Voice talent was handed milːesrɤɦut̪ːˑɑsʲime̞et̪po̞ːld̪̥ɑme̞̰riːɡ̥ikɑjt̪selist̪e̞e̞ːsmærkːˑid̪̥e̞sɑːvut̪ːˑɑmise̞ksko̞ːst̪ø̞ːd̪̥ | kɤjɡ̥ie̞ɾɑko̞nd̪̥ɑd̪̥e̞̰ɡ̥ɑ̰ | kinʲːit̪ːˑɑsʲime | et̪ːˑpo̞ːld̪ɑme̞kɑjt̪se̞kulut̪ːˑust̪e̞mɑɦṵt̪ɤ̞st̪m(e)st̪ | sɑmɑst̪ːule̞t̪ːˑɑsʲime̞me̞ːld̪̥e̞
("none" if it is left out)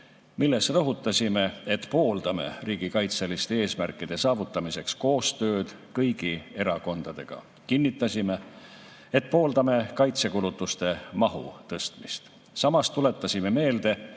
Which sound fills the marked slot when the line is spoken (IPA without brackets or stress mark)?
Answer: i